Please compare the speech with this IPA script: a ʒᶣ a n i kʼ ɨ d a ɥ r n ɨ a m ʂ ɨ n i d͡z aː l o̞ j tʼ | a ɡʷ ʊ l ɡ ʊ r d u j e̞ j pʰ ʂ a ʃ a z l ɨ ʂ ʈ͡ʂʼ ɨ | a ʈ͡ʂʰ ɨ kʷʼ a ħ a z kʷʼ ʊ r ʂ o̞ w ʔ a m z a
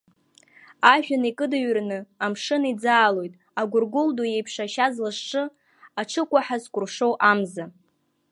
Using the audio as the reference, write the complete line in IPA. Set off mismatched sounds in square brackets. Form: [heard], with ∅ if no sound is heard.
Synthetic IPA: a ʒᶣ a n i kʼ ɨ d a ɥ r n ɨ a m ʂ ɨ n i d͡z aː l o̞ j tʼ | a ɡʷ ʊ [r] ɡ ʊ [l] d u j e̞ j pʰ ʂ a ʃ a z l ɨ ʂ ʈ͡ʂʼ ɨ | a ʈ͡ʂʰ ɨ kʷʼ a ħ a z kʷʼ ʊ r ʂ o̞ w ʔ a m z a